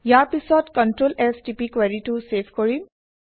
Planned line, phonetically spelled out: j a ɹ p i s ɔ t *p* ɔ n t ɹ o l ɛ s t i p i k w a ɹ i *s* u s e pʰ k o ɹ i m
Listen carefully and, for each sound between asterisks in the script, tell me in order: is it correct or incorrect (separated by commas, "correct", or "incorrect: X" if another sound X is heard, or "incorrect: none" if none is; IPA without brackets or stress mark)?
incorrect: k, incorrect: t